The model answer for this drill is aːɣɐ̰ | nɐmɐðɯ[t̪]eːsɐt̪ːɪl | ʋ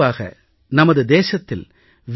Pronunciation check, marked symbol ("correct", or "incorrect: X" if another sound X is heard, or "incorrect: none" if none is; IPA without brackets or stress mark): incorrect: d̪